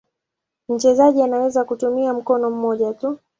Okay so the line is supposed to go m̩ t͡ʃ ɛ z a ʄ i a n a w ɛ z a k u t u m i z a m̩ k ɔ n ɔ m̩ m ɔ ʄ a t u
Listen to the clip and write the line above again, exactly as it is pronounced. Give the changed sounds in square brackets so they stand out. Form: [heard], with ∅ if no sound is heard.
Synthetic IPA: m̩ t͡ʃ ɛ z a ʄ i a n a w ɛ z a k u t u m i [∅] a m̩ k ɔ n ɔ m̩ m ɔ ʄ a t u